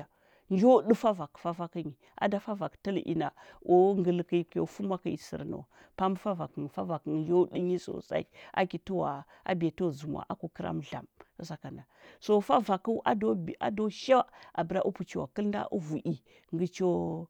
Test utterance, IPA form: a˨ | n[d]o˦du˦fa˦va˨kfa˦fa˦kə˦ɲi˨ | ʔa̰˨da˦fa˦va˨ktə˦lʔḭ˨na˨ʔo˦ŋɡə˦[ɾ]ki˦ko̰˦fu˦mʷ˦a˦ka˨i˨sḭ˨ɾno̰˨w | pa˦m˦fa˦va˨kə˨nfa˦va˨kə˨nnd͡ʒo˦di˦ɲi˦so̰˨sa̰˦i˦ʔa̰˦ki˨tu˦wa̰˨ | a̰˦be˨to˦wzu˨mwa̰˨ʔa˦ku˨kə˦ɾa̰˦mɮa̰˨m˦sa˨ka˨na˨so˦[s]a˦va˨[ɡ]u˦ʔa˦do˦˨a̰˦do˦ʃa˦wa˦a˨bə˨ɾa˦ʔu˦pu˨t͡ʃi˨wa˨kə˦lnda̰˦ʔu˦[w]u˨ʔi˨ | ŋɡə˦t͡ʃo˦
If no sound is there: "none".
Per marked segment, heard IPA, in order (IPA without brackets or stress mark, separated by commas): d͡ʒ, l, f, k, v